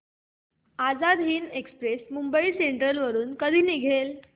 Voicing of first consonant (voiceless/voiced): voiced